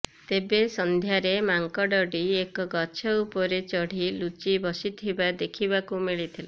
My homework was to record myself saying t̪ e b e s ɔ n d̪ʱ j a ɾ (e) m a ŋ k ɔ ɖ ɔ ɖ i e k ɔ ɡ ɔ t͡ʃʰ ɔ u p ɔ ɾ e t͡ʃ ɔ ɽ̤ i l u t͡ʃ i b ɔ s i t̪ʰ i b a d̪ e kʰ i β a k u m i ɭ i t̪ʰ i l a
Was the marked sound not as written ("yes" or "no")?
no